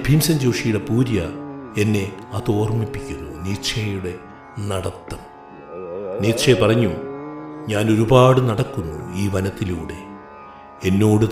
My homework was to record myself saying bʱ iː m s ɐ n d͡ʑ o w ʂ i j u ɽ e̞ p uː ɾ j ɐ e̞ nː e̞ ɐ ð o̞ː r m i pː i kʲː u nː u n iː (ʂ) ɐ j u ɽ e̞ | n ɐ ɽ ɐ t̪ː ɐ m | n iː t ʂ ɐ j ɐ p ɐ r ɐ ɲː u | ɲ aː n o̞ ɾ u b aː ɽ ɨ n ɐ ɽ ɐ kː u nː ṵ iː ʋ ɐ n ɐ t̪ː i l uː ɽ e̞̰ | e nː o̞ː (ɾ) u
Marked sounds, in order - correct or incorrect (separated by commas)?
correct, incorrect